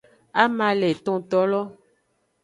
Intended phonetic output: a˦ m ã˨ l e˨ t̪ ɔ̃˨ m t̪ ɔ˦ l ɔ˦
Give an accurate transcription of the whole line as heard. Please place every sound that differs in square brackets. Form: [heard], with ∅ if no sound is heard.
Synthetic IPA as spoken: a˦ m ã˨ l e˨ t̪ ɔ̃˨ [∅] t̪ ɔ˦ l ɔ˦